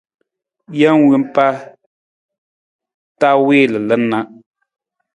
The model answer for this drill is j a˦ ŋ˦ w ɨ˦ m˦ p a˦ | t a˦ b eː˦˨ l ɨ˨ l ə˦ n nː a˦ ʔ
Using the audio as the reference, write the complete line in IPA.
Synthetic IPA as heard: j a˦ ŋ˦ w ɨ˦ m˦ p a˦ | t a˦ w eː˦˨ l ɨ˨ l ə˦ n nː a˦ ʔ